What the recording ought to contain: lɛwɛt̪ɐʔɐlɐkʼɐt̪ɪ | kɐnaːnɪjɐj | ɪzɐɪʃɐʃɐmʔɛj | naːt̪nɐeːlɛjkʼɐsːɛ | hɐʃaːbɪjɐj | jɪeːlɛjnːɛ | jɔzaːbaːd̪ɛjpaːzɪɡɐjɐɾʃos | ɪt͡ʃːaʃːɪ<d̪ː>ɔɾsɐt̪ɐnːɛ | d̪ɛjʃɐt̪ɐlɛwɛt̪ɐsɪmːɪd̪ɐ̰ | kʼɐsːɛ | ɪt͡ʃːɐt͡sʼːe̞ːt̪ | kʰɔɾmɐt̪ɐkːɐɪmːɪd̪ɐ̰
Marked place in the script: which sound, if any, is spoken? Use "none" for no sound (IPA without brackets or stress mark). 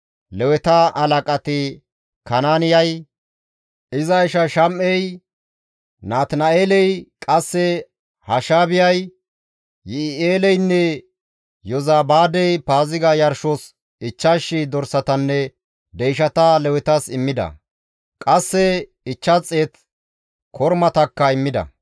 d̪